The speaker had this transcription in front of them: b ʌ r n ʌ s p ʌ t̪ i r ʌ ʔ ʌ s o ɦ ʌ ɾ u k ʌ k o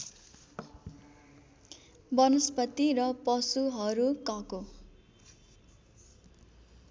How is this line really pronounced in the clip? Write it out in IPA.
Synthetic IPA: b ʌ n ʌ s p ʌ t̪ i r ʌ p ʌ s u ɦ ʌ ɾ u k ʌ k o